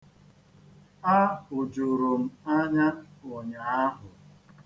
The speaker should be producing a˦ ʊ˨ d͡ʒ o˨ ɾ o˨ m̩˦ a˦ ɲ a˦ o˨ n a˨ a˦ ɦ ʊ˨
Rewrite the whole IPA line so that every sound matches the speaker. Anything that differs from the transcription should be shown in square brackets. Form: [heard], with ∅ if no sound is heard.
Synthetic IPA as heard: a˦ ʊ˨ d͡ʒ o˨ ɾ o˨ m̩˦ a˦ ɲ a˦ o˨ [ɲ] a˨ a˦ ɦ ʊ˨